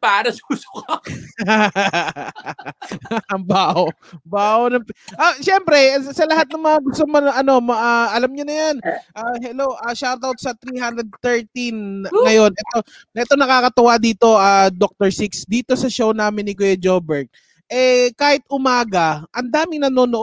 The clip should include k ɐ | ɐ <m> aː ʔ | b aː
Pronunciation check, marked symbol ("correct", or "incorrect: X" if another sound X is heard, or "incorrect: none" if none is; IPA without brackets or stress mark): incorrect: b